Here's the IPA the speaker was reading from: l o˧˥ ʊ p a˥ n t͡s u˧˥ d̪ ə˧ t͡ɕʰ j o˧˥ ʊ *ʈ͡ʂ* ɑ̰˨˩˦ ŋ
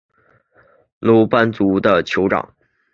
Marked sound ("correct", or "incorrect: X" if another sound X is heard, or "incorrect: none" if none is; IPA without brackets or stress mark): correct